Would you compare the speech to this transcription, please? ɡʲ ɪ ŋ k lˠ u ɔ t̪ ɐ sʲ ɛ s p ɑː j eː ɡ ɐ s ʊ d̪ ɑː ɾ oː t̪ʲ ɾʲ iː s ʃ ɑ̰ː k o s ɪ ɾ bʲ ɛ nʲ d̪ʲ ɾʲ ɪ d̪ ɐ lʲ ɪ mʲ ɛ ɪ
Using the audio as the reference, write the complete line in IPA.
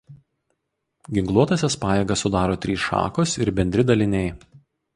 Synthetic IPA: ɡʲ ɪ ŋ k lˠ u ɔ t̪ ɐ sʲ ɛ s p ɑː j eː ɡ ɐ s ʊ d̪ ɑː ɾ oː t̪ʲ ɾʲ iː s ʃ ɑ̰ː k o s ɪ ɾ bʲ ɛ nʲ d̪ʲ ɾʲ ɪ d̪ ɐ lʲ ɪ nʲ ɛ ɪ